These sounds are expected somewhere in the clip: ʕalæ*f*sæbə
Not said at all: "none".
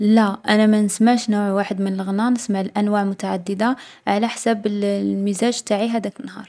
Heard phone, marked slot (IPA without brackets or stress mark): ħ